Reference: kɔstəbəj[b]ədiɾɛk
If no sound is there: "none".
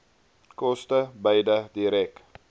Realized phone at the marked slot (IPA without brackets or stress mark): d